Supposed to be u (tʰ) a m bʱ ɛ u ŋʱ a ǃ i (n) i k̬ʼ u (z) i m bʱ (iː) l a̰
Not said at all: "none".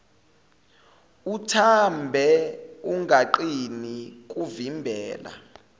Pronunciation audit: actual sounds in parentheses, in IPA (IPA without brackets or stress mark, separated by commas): tʰ, n, v, ɛː